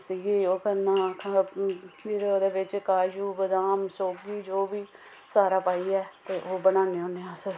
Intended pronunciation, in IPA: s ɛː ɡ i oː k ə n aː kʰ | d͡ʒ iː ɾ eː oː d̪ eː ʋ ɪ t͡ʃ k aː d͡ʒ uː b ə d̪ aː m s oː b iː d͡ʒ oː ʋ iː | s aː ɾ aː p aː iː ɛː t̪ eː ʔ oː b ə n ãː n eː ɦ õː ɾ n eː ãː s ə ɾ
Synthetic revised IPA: s iː ɡ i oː k ə n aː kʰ | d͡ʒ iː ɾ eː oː d̪ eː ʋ ɪ t͡ʃ k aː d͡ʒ uː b ə d̪ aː m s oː ɡ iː d͡ʒ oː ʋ iː | s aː ɾ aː p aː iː ɛː t̪ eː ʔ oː b ə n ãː n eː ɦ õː n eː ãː s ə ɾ

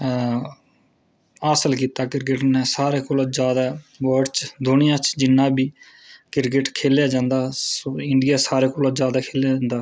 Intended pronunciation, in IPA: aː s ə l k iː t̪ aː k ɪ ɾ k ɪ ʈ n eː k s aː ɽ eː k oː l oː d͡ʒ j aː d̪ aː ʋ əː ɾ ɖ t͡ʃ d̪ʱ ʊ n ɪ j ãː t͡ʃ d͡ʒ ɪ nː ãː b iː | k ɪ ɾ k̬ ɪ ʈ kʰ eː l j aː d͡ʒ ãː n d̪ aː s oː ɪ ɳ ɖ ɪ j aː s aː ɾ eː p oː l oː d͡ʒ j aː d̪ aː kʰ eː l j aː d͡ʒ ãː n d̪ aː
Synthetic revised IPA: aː s ə l k iː t̪ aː k ɪ ɾ k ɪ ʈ n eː s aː ɾ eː k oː l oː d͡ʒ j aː d̪ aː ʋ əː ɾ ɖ t͡ʃ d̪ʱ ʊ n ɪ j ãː t͡ʃ d͡ʒ ɪ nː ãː b iː | k ɪ ɾ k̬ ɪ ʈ kʰ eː l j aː d͡ʒ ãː n d̪ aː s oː ɪ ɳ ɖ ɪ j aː s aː ɾ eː k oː l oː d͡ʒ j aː d̪ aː kʰ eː l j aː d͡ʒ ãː n d̪ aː

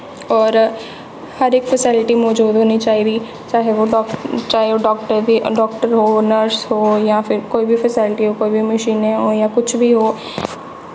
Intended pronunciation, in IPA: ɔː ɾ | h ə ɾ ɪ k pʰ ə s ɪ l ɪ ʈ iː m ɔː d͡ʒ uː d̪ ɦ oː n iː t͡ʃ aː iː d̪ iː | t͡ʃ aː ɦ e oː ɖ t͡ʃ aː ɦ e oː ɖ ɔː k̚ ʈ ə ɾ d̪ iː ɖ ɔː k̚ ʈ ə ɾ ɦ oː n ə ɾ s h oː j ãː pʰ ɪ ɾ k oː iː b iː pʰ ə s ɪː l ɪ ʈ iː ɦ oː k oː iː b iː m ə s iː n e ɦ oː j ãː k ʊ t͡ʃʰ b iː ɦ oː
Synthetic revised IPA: ɔː ɾ | h ə ɾ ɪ k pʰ ə s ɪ l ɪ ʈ iː m ɔː d͡ʒ uː d̪ ɦ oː n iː t͡ʃ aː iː d̪ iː | t͡ʃ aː ɦ e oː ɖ t͡ʃ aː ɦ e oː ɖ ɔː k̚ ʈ ə ɾ d̪ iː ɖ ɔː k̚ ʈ ə ɾ ɦ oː n ə ɾ s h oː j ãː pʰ ɪ ɾ k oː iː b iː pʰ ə s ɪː l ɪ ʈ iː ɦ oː k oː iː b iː m ə ʃ iː n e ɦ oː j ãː k ʊ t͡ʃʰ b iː ɦ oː

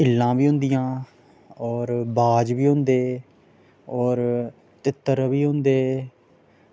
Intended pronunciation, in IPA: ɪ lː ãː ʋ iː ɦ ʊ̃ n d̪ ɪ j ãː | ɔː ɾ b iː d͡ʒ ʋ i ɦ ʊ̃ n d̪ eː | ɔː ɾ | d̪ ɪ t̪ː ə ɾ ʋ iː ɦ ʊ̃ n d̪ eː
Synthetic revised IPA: ɪ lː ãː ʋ iː ɦ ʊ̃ n d̪ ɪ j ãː | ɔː ɾ b aː d͡ʒ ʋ iː ɦ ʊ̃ n d̪ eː | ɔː ɾ | t̪ ɪ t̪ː ə ɾ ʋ iː ɦ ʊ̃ n d̪ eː

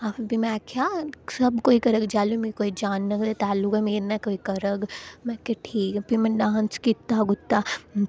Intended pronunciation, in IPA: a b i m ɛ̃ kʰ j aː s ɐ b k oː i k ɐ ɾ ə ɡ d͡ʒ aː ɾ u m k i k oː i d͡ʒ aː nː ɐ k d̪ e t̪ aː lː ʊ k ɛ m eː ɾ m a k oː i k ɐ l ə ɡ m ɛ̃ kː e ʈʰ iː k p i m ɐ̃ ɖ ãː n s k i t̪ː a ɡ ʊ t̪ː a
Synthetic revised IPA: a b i m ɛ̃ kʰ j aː s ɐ b k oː i k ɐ ɾ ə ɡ d͡ʒ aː l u m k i k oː i d͡ʒ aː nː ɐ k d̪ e t̪ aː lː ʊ k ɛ m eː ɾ n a k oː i k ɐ ɾ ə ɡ m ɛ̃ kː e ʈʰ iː k p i m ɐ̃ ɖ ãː n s k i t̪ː a ɡ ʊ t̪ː a

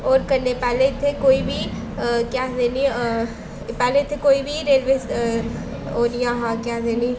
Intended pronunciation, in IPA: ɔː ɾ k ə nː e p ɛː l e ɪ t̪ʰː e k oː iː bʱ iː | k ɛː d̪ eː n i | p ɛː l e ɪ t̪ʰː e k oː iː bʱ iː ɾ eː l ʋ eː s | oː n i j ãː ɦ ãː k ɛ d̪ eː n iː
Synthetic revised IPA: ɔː ɾ k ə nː e p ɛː l e ɪ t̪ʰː e k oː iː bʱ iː | k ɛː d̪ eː n i | p ɛː l e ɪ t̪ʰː e k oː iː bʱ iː ɾ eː l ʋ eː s | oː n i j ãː ɦ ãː k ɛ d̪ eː n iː

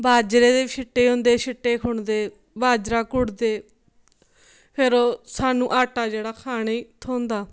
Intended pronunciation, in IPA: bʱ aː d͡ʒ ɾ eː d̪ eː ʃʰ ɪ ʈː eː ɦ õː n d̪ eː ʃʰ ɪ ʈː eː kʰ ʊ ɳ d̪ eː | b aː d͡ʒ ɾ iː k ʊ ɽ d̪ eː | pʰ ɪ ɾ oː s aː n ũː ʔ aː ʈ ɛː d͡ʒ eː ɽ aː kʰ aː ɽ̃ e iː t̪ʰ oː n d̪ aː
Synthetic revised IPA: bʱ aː d͡ʒ ɾ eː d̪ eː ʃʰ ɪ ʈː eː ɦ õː n d̪ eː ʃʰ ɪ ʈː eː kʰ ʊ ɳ d̪ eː | b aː d͡ʒ ɾ aː k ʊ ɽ d̪ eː | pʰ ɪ ɾ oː s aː n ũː ʔ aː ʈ aː d͡ʒ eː ɽ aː kʰ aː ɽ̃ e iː t̪ʰ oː n d̪ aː

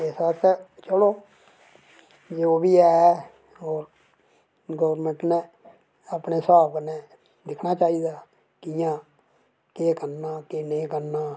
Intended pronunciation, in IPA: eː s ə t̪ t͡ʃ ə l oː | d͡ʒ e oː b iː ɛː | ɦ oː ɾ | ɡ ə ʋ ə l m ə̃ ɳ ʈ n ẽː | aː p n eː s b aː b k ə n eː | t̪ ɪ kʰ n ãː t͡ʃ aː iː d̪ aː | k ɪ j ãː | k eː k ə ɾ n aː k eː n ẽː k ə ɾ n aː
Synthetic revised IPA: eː s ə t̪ t͡ʃ ə l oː | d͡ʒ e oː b iː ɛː | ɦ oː ɾ | ɡ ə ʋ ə ɾ m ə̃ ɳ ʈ n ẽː | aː p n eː s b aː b k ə n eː | d̪ ɪ kʰ n aː t͡ʃ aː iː d̪ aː | k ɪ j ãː | k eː k ə ɾ n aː k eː n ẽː k ə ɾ n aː

